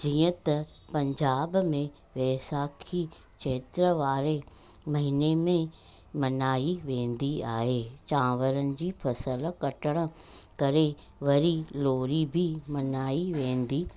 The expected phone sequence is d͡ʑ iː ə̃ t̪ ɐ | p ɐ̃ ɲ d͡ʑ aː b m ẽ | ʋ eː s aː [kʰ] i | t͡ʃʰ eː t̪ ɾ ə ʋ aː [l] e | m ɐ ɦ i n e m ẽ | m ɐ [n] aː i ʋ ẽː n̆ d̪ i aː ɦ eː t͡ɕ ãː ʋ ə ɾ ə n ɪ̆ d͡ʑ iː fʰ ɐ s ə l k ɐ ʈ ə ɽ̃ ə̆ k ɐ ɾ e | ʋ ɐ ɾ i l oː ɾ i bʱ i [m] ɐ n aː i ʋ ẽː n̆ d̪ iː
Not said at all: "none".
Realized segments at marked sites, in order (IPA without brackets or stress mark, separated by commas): kʰ, ɾ, n, m